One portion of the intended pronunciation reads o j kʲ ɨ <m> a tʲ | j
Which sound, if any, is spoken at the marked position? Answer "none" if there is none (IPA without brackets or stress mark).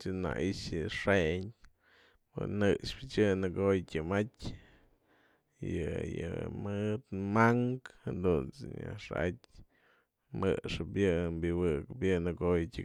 m